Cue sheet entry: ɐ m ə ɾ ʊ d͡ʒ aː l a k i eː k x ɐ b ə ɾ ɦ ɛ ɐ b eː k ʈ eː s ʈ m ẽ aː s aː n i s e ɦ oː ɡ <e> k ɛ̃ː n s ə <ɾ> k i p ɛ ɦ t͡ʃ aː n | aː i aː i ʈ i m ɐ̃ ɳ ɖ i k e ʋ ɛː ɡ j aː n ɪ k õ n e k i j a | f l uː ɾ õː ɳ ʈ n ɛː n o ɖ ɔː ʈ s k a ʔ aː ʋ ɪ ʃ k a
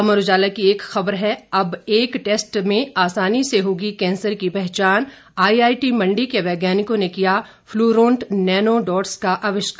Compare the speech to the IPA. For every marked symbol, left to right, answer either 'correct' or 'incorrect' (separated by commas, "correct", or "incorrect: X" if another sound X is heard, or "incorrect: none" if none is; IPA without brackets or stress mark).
incorrect: i, correct